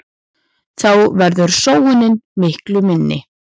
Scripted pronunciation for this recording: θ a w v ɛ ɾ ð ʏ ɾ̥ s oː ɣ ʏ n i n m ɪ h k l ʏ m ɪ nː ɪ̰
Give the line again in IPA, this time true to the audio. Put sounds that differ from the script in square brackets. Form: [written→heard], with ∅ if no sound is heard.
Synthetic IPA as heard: θ a w v ɛ ɾ ð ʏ ɾ̥ s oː [ɣ→w] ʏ n [i→ɪ] n m ɪ h k l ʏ m ɪ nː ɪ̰

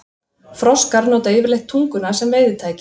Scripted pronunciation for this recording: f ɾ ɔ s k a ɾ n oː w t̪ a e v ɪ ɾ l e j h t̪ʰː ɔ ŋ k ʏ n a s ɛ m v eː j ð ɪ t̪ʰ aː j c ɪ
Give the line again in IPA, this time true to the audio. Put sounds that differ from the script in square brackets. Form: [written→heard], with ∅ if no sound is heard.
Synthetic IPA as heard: f ɾ ɔ s k a ɾ n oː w t̪ a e v ɪ ɾ l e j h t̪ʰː [ɔ→u] ŋ k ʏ n a s ɛ m v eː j ð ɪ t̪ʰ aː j c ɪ

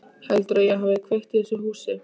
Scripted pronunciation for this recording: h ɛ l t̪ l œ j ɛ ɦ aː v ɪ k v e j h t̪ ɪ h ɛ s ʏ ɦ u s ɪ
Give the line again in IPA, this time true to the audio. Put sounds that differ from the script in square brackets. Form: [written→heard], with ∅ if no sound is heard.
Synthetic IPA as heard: h ɛ l t̪ [l→ɾ] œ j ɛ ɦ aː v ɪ [k→kʰ] v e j h t̪ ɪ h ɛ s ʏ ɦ [u→uː] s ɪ

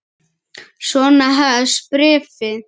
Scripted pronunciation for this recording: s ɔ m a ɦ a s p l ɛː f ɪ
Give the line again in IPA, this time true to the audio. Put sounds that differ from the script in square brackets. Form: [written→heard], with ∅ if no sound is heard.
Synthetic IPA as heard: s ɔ [m→n] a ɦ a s p [l→ɾ] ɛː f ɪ

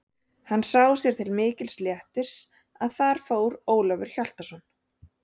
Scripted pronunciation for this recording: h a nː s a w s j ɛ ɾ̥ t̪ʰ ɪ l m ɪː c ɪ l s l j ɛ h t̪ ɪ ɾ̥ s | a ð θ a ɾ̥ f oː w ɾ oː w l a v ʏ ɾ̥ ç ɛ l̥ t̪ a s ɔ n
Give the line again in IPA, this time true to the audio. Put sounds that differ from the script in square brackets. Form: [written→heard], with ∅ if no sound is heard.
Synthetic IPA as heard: h a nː s a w s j ɛ ɾ̥ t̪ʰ ɪ l m ɪː c ɪ l s l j ɛ h t̪ ɪ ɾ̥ s | a ð θ a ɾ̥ f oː w ɾ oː w l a v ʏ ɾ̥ ç [ɛ→a] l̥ t̪ a s ɔ n

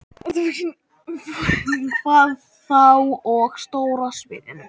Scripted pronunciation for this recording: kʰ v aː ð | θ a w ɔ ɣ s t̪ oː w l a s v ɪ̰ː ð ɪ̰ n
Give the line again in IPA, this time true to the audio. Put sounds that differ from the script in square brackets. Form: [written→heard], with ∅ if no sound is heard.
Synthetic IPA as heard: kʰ v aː ð | θ a w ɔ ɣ s t̪ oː w [l→ɾ] a s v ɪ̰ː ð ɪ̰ n

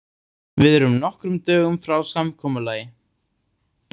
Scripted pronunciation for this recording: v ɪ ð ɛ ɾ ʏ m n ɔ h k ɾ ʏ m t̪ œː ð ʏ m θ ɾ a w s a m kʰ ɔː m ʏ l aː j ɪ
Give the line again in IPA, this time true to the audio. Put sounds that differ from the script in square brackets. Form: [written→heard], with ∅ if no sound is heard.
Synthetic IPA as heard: v ɪ ð ɛ ɾ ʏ m n ɔ h k ɾ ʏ m t̪ œː [ð→ɣ] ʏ m [θ→f] ɾ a w s a m kʰ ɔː m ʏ l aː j ɪ

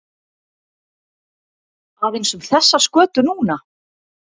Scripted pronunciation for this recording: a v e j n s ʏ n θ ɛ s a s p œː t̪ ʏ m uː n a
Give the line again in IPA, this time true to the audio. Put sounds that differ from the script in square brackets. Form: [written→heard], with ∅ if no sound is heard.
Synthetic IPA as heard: a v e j n s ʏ [n→m] θ ɛ [s→sː] a s [p→k] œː t̪ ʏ [m→n] uː n a

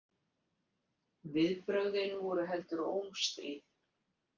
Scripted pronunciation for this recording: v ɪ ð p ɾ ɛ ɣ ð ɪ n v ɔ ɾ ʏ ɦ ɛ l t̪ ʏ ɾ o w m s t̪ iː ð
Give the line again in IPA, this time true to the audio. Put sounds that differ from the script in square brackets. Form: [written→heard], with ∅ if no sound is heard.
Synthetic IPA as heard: v ɪ ð p ɾ [ɛ→œ] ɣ ð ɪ n v ɔ ɾ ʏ ɦ ɛ l t̪ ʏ ɾ o w m s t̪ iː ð

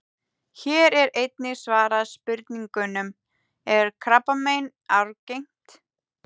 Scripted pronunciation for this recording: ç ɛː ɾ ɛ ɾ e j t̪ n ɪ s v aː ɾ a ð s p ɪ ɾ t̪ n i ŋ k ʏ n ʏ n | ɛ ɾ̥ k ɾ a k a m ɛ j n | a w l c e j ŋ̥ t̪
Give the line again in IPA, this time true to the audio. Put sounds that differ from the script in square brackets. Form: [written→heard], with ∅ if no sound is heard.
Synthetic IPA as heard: ç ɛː ɾ ɛ ɾ e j t̪ n ɪ s v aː ɾ a ð s p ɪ ɾ t̪ n i ŋ k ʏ n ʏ [n→m] | ɛ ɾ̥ [k→kʰ] ɾ a [k→p] a m [ɛ→e] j n | a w [l→ɾ] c e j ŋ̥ t̪

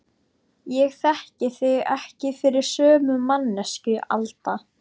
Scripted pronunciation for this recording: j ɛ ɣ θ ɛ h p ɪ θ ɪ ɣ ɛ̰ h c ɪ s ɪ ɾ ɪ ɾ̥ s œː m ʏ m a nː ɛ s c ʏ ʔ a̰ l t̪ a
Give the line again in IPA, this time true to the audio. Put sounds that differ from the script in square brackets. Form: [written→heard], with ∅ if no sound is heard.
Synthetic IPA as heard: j ɛ ɣ θ ɛ h [p→c] ɪ θ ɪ ɣ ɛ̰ h c ɪ [s→f] ɪ ɾ ɪ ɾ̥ s œː m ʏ m a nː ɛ s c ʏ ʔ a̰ l t̪ a

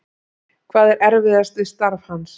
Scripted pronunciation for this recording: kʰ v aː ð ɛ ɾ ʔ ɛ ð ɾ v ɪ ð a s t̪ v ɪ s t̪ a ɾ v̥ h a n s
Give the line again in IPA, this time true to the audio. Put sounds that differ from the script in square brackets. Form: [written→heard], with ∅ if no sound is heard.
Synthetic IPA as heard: kʰ v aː ð ɛ ɾ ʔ ɛ [ð→∅] ɾ v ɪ ð a s t̪ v ɪ s t̪ a ɾ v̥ h a n s

